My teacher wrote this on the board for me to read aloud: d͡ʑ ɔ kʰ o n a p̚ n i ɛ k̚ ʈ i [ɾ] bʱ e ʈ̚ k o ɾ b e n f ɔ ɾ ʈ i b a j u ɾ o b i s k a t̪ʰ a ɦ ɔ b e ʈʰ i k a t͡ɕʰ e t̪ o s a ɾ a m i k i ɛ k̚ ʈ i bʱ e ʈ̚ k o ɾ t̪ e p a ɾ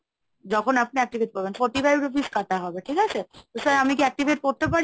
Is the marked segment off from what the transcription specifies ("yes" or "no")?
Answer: yes